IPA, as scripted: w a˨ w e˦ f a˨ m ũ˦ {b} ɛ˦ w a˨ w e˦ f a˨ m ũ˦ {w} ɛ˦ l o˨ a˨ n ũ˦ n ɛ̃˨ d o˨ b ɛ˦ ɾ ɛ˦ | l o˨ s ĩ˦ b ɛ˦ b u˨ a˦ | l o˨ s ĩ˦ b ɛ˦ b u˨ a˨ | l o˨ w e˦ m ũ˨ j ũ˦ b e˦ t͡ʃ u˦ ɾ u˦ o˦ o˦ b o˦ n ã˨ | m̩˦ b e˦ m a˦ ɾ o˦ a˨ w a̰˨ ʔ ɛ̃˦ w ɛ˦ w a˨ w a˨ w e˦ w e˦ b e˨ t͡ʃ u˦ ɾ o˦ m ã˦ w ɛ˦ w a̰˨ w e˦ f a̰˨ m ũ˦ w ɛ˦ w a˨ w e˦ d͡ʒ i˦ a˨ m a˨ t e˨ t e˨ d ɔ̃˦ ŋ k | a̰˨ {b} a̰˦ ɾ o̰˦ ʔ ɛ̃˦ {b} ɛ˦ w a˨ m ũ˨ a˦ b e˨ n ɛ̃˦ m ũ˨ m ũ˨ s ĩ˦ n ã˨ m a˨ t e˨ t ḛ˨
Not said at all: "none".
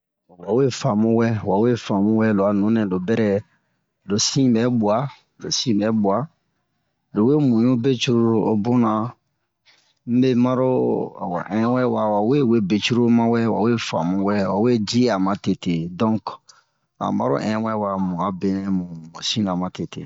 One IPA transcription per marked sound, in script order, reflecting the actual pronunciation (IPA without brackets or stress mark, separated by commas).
w, w, m, w